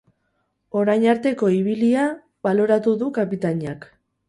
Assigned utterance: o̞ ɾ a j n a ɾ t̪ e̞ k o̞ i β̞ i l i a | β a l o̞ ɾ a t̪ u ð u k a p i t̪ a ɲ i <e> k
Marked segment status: incorrect: a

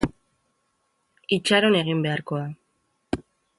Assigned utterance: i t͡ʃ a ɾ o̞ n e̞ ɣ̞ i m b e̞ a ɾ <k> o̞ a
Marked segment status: correct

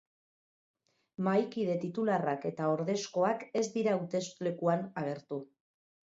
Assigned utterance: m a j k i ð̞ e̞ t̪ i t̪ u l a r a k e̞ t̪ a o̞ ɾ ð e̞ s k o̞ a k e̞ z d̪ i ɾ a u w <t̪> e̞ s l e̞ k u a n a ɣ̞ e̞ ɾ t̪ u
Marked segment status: correct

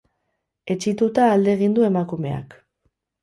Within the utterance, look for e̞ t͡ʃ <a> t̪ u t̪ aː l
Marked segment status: incorrect: i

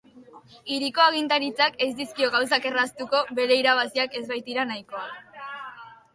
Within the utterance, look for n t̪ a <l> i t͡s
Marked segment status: incorrect: ɾ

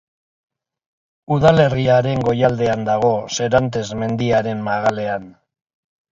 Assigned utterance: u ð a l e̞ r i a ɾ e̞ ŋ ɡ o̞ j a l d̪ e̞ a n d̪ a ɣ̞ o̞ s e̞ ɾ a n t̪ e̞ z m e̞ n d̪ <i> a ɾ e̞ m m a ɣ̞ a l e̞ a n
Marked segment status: correct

